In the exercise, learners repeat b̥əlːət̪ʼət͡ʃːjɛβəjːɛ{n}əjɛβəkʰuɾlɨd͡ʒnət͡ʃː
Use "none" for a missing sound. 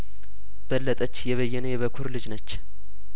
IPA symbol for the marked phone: n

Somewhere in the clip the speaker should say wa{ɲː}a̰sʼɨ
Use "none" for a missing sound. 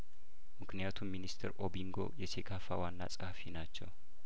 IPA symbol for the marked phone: nː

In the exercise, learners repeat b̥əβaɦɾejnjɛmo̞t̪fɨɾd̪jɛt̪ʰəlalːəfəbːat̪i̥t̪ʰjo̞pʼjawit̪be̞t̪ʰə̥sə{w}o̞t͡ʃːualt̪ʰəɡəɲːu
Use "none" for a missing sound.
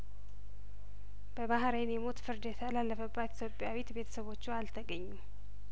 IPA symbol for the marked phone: β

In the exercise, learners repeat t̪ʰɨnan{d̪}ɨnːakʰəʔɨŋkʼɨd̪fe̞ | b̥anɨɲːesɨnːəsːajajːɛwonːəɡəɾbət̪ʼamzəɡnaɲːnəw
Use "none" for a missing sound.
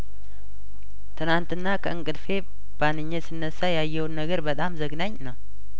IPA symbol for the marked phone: t̪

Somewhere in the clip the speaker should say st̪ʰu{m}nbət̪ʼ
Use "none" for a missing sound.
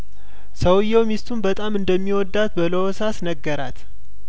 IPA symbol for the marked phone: none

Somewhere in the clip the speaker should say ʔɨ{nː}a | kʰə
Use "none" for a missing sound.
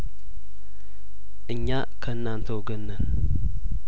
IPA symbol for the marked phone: ɲː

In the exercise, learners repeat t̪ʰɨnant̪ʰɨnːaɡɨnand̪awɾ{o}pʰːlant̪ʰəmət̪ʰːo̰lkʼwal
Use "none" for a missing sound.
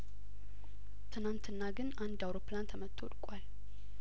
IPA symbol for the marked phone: o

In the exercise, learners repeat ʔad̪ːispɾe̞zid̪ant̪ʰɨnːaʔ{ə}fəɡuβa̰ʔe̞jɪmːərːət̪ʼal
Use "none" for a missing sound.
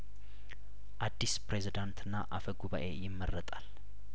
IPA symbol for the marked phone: a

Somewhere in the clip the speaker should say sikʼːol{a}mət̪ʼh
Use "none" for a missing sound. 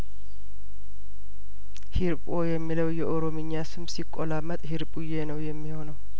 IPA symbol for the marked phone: a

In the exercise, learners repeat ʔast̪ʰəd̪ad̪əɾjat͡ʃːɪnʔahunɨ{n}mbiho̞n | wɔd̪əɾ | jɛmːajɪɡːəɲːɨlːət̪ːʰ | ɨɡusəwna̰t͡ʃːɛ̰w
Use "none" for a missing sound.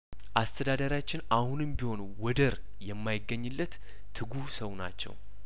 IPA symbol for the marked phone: none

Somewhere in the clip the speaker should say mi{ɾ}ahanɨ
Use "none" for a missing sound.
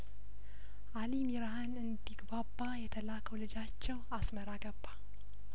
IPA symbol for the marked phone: ɾ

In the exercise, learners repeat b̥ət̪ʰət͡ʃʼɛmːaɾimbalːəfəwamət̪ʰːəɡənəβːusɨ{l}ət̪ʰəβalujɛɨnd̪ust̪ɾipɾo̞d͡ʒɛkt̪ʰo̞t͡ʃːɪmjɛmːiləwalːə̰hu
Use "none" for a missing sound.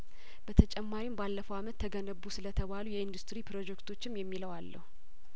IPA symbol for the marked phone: l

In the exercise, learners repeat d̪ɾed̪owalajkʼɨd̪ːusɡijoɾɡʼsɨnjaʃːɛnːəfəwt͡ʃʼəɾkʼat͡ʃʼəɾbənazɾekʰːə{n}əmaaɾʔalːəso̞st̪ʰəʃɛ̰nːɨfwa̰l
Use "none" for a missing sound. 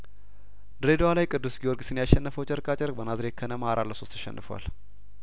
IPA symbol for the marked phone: n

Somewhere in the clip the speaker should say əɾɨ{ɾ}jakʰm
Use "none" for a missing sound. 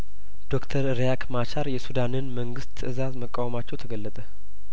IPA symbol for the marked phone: ɾ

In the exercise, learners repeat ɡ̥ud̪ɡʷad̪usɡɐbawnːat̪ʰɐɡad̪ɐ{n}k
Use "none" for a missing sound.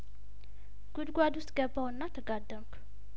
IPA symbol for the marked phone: m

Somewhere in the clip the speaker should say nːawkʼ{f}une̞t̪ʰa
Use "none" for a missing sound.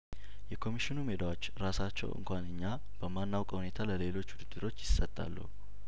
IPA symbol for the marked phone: h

